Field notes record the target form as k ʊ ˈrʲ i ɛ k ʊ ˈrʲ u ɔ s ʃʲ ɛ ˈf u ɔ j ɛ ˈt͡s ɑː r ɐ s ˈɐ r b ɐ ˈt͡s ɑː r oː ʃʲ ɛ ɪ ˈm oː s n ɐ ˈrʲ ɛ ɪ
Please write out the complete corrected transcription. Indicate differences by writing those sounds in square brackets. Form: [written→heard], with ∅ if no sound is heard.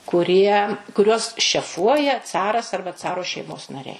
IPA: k ʊ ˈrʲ i ɛ k ʊ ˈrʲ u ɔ s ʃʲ ɛ ˈf u ɔ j ɛ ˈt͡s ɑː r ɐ s ˈɐ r b ɐ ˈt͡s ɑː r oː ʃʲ ɛ ɪ ˈm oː s n ɐ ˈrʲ ɛ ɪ